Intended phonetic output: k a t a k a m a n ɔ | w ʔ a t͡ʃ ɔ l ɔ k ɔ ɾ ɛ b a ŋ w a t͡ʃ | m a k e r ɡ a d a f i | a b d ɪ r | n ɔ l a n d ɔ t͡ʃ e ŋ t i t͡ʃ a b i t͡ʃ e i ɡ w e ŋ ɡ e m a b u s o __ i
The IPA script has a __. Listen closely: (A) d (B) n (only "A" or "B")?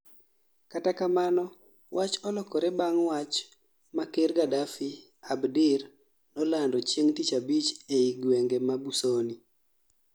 B